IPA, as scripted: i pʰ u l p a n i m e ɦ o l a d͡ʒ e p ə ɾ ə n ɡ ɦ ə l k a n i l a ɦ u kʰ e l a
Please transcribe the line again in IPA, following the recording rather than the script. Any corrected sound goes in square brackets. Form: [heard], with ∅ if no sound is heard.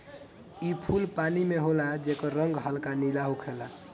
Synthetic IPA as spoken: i pʰ u l p a n i m e ɦ o l a d͡ʒ e [k] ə ɾ ə [ŋ] ɡ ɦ ə l k a n i l a ɦ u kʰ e l a